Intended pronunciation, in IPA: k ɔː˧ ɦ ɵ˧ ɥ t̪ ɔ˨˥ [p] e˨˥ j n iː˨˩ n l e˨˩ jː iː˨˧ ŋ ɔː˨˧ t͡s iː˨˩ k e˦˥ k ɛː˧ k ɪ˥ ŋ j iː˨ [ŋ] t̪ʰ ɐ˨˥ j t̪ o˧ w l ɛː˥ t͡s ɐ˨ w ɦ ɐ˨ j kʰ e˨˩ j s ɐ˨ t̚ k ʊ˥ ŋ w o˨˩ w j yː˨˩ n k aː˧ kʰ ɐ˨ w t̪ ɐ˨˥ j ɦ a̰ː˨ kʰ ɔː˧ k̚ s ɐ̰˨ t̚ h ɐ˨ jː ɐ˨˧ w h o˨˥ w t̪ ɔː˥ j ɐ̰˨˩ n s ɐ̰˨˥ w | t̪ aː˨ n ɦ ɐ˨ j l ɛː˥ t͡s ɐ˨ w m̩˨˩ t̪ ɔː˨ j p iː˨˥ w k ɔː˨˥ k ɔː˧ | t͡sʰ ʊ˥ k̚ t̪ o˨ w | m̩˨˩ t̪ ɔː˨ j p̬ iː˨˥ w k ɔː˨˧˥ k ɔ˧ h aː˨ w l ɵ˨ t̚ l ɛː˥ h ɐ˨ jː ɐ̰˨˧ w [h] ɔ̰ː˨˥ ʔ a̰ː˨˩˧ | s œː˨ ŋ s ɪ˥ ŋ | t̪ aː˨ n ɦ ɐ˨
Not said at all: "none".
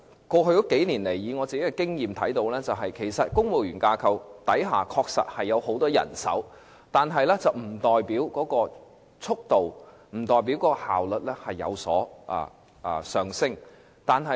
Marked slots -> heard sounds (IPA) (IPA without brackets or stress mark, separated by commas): k, m, s